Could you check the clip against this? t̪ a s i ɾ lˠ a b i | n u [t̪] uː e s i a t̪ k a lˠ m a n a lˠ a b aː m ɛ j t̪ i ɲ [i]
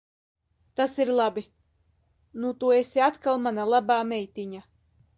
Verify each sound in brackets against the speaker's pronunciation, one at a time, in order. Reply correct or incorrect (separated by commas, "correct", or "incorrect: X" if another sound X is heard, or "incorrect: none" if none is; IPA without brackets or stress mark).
correct, incorrect: a